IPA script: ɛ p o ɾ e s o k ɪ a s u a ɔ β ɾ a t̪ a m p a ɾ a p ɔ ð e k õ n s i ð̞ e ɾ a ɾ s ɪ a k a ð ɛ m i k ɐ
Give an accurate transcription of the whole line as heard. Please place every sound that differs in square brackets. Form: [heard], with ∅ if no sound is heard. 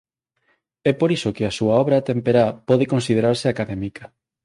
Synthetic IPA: ɛ p o ɾ [i] s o k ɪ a s u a ɔ β ɾ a t̪ [e] m p [e] ɾ a p ɔ ð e k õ n s i ð̞ e ɾ a ɾ s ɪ a k a ð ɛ m i k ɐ